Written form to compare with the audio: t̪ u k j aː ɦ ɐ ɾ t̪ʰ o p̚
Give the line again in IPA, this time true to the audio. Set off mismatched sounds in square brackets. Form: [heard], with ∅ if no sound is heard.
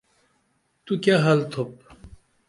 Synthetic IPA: t̪ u k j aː ɦ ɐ [l] t̪ʰ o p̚